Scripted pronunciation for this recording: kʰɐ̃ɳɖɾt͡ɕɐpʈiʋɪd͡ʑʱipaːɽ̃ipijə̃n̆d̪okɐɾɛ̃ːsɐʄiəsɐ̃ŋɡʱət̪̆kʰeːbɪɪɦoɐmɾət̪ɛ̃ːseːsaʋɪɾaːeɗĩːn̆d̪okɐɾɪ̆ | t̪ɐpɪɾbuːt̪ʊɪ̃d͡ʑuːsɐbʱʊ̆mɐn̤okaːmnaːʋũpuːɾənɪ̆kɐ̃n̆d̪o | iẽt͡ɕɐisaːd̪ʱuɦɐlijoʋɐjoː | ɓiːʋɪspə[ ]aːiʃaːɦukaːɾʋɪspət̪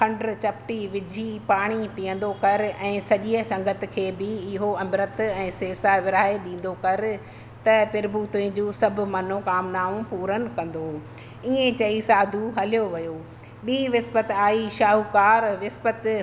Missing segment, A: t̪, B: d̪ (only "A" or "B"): A